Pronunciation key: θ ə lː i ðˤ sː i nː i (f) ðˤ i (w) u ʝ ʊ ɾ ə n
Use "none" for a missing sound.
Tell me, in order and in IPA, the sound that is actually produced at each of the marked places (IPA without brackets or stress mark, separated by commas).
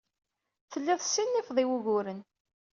f, w